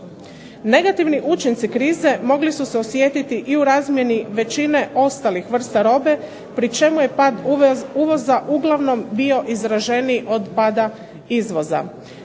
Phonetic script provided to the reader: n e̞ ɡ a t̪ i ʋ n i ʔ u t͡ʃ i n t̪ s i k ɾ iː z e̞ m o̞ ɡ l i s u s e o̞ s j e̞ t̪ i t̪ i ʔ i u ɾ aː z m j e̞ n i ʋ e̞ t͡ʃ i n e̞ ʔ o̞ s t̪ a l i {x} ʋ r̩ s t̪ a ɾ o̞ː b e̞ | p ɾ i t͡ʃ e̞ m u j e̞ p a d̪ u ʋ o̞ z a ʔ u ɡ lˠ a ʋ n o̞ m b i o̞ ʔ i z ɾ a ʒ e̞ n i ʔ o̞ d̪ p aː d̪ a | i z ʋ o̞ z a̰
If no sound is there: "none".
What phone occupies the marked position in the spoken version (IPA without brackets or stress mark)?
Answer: x